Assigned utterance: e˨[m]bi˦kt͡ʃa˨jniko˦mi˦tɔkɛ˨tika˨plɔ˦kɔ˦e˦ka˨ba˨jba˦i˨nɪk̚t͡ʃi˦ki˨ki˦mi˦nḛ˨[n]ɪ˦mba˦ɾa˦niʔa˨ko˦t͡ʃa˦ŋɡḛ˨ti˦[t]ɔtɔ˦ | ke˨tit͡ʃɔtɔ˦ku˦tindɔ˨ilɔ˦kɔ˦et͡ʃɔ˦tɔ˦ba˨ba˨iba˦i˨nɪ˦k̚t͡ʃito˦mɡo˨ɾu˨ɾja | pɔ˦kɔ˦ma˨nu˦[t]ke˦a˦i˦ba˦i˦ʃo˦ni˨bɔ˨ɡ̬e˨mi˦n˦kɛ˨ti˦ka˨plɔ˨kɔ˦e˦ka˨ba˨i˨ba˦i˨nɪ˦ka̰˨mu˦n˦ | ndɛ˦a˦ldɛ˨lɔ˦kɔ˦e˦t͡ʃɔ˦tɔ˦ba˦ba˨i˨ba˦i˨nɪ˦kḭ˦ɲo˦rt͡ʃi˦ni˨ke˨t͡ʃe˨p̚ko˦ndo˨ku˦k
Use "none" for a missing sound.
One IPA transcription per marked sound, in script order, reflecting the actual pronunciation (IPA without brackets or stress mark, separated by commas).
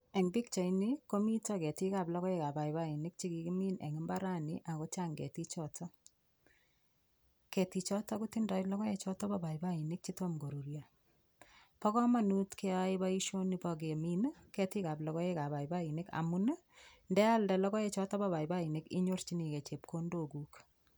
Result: ŋ, ŋ, t͡ʃ, t